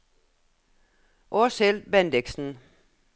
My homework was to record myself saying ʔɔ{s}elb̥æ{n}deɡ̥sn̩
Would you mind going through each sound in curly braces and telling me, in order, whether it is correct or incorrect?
correct, correct

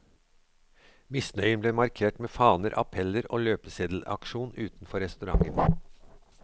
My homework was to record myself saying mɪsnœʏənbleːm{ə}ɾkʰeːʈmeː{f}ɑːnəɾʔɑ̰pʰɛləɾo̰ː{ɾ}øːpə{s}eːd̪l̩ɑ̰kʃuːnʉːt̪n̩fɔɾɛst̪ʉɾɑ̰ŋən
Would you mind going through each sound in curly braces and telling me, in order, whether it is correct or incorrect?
incorrect: ɑ, correct, incorrect: l, correct

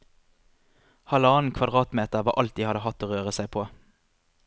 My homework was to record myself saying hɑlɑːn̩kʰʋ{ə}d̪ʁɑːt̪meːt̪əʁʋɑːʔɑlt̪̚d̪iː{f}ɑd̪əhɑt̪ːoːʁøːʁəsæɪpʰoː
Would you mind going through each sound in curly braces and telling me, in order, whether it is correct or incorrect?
incorrect: ɑ, incorrect: h

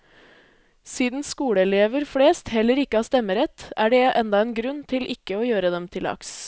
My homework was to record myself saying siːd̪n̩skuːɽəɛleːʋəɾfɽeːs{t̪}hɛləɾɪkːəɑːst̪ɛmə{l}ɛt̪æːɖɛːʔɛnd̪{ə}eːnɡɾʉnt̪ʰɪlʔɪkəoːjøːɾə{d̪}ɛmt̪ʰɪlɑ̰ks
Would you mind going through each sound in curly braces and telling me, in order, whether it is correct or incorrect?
correct, incorrect: ɾ, incorrect: ɑ, correct

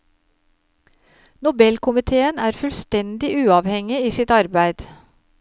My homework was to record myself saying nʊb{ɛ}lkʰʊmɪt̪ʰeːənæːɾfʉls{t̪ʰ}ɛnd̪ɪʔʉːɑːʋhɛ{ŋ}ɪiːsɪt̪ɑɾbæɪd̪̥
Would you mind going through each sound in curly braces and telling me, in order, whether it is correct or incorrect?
correct, incorrect: t̪, correct

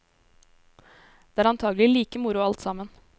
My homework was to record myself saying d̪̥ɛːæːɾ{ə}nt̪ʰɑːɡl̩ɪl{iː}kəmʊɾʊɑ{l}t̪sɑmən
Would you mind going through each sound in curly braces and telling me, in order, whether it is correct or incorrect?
incorrect: ɑ, correct, correct

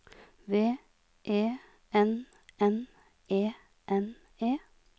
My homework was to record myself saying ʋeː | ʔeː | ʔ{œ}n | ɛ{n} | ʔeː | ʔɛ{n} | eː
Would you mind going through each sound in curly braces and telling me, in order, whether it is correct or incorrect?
incorrect: ɛ, correct, correct

